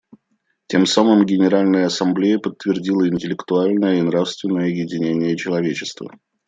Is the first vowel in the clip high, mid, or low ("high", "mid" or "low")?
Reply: mid